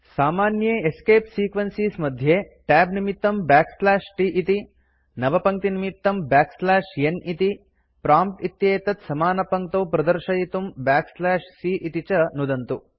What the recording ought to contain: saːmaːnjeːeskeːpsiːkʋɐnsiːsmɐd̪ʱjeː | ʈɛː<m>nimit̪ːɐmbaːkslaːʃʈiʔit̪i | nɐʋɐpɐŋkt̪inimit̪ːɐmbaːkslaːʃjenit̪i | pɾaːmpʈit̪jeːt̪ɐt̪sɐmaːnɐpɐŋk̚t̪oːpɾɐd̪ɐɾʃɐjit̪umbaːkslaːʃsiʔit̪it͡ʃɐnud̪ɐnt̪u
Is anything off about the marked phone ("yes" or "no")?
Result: yes